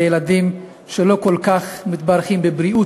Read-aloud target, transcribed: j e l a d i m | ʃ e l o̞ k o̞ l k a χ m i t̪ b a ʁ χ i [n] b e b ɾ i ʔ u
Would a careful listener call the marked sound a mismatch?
yes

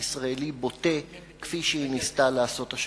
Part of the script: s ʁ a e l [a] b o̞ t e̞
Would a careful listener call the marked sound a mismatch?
yes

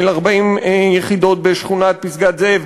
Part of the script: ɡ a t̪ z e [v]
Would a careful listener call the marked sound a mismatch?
no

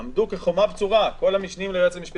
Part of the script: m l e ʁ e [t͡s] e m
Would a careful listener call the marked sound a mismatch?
no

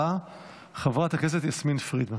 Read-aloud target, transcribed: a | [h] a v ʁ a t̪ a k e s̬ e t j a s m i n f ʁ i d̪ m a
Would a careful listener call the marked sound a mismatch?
yes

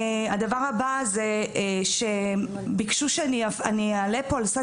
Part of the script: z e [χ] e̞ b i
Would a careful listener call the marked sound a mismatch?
yes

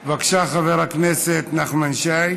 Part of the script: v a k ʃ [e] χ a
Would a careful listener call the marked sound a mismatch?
yes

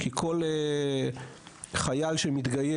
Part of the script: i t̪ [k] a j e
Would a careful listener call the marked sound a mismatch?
yes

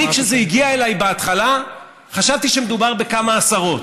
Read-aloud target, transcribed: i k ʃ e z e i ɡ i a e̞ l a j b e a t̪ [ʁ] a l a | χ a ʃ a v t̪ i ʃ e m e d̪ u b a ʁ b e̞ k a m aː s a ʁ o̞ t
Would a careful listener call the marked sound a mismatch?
yes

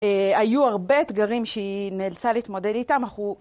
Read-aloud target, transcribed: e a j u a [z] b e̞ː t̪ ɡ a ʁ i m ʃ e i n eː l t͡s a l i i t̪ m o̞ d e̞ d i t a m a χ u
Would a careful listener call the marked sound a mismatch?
yes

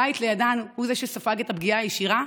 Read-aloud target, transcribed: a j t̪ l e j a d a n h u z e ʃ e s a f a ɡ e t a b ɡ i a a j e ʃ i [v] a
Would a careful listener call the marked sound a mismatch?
yes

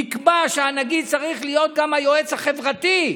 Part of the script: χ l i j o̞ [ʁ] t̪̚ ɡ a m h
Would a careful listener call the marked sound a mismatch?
yes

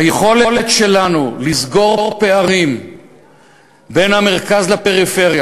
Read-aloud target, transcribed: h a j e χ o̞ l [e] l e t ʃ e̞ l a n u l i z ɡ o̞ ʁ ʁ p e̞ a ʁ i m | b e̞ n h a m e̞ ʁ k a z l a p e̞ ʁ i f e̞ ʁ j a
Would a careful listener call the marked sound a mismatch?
no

